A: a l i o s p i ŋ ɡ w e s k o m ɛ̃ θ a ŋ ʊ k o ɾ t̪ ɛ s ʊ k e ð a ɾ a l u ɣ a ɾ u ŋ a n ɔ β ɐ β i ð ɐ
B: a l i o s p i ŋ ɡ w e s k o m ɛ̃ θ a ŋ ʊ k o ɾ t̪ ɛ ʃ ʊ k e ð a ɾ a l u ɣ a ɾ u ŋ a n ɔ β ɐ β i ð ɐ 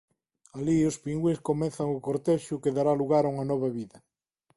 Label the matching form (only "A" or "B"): B